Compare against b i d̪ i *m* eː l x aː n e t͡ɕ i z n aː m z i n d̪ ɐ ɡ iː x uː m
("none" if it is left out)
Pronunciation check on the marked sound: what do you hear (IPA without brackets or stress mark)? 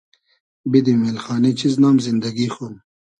m